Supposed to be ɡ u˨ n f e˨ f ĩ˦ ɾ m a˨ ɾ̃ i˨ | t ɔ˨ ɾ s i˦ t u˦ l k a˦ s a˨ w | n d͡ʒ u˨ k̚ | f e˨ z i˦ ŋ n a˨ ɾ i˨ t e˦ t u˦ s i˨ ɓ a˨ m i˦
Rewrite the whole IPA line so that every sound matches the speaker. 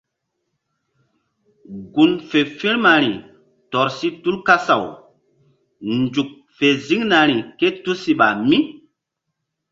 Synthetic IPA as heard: ɡ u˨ n f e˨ f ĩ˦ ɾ m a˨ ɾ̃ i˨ | t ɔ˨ ɾ s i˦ t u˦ l k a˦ s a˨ w | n d͡ʒ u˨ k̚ | f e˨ z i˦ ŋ n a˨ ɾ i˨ k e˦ t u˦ s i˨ ɓ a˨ m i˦